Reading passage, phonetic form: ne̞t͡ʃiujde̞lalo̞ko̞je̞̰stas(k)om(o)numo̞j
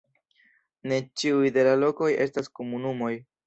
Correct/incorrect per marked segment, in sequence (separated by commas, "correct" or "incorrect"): correct, incorrect